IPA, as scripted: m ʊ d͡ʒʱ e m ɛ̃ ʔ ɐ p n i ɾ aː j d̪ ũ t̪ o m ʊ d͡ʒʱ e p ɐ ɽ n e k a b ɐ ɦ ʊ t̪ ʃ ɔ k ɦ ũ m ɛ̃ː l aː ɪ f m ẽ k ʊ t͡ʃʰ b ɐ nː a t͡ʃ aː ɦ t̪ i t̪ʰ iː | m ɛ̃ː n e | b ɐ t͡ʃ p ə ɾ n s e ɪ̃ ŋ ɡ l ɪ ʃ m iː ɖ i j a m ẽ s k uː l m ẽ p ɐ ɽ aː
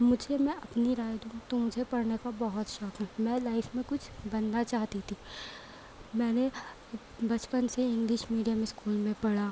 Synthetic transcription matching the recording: m ʊ d͡ʒʱ e m ɛ̃ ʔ ɐ p n i ɾ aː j d̪ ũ t̪ o m ʊ d͡ʒʱ e p ɐ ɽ n e k a b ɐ ɦ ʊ t̪ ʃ ɔ k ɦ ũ m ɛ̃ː l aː ɪ f m ẽ k ʊ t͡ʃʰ b ɐ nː a t͡ʃ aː ɦ t̪ i t̪ʰ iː | m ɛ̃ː n e | b ɐ t͡ʃ p ə n s e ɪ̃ ŋ ɡ l ɪ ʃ m iː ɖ i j a m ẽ s k uː l m ẽ p ɐ ɽ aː